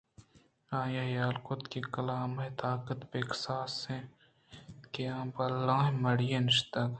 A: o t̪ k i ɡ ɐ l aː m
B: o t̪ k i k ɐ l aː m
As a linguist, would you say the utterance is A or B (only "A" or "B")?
B